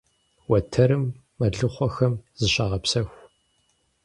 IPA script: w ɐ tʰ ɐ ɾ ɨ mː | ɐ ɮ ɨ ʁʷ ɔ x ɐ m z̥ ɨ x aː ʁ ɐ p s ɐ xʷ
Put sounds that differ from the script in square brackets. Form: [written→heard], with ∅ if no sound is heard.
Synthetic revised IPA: w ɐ tʰ ɐ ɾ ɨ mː | ɐ ɮ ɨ [ʁʷ→χʷ] ɔ x ɐ m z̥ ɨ [x→ɕ] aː ʁ ɐ p s ɐ xʷ

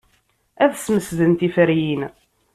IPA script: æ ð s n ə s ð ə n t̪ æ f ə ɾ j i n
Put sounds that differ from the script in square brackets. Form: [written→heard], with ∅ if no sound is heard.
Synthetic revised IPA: æ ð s [n→m] ə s ð ə n t̪ [æ→i] f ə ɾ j i n

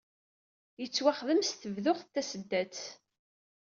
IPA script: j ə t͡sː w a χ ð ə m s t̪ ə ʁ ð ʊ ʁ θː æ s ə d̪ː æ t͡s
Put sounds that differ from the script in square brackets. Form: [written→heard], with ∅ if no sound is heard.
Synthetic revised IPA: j ə t͡sː w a χ ð ə m s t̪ ə [ʁ→v] ð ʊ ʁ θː æ s ə d̪ː æ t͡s

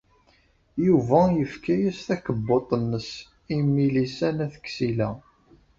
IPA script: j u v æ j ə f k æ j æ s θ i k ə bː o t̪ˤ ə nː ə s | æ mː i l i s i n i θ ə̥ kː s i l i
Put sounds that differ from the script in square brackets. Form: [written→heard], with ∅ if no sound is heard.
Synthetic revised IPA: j u v æ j ə f k æ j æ s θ [i→æ] k ə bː o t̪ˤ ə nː ə s | [æ→i] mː i l i s [i→æ] n [i→æ] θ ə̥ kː s i l [i→æ]

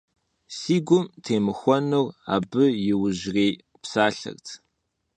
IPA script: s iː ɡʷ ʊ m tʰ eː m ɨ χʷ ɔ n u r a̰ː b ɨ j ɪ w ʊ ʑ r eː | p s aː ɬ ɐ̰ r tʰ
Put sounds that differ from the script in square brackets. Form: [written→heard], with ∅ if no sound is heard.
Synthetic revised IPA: s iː ɡʷ ʊ m tʰ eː m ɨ [χʷ→xʷ] ɔ n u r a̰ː b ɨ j ɪ w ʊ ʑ r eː | p s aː ɬ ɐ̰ r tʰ

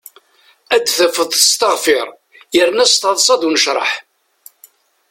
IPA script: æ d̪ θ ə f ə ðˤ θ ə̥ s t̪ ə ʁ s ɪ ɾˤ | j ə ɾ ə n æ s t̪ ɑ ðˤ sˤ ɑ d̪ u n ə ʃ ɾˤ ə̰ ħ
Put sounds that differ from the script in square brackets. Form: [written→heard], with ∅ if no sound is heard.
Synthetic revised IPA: æ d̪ θ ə f ə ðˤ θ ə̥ s t̪ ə ʁ [s→f] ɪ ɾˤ | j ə ɾ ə n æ s t̪ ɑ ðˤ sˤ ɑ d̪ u n ə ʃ ɾˤ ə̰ ħ

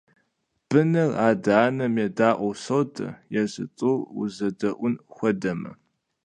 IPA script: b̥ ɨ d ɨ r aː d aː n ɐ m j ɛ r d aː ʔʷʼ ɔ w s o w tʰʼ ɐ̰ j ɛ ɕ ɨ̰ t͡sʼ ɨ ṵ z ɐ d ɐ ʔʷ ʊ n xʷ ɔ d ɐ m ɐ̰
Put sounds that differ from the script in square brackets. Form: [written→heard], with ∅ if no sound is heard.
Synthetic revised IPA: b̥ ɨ [d→n] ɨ r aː d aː n ɐ m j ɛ [r→∅] d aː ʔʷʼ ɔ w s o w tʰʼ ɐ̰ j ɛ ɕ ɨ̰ t͡sʼ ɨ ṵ z ɐ d ɐ ʔʷ ʊ n xʷ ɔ d ɐ m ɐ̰

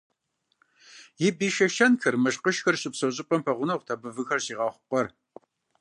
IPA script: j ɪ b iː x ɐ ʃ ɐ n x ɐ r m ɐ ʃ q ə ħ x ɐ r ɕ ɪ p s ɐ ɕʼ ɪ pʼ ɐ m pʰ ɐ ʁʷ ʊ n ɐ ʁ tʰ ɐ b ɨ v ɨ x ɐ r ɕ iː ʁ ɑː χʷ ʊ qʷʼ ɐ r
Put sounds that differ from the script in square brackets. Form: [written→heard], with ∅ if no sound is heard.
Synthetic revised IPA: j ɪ b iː [x→ʃ] ɐ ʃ ɐ n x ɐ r m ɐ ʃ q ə [ħ→ʃ] x ɐ r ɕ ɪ p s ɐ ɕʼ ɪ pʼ ɐ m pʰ ɐ ʁʷ ʊ n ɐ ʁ tʰ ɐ b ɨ v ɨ x ɐ r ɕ iː ʁ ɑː χʷ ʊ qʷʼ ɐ r

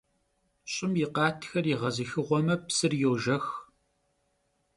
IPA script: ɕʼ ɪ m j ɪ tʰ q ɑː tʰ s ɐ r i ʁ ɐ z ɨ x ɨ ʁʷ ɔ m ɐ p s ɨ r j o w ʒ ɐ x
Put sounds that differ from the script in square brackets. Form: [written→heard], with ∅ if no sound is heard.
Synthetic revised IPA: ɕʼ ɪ m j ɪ [tʰ→∅] q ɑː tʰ [s→x] ɐ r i ʁ ɐ z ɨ x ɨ ʁʷ ɔ m ɐ p s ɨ r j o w ʒ ɐ x

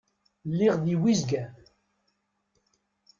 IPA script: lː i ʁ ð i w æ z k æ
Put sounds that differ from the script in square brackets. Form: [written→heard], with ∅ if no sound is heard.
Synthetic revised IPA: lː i ʁ ð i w [æ→i] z [k→ɡ] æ

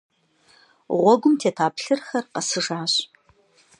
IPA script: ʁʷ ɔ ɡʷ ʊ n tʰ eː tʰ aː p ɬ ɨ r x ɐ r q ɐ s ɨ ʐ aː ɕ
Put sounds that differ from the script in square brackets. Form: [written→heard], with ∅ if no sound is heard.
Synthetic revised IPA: ʁʷ ɔ ɡʷ ʊ [n→m] tʰ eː tʰ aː p ɬ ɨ r x ɐ r q ɐ s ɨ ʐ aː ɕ

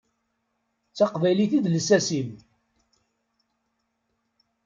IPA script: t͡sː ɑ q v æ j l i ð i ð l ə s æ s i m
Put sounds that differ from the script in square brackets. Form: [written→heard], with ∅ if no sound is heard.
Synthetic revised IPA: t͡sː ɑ q v æ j l i [ð→θ] i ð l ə s æ s i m

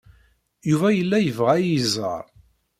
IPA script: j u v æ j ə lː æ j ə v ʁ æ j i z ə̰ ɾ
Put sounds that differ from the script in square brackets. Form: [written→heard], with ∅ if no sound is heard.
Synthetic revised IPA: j u v æ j ə lː æ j ə v ʁ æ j i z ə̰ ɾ

